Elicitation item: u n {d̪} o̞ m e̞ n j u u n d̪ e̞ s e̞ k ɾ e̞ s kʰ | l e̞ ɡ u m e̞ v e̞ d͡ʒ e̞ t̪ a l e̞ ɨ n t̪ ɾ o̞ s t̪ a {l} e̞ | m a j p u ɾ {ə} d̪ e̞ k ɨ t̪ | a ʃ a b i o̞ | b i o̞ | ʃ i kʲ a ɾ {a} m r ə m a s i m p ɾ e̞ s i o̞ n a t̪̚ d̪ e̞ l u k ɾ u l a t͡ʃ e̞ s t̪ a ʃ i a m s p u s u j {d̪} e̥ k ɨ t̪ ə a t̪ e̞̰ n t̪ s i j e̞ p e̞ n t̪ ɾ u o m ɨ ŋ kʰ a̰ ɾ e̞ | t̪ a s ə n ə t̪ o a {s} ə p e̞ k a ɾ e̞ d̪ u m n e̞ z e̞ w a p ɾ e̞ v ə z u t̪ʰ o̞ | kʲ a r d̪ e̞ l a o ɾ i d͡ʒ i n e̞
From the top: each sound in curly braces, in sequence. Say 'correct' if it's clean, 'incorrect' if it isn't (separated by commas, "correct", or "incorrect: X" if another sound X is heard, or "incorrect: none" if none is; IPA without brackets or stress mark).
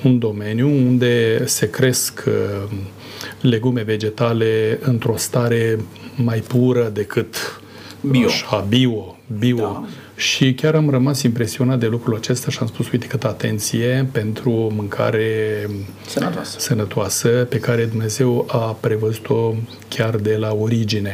correct, incorrect: ɾ, correct, correct, incorrect: t̪, correct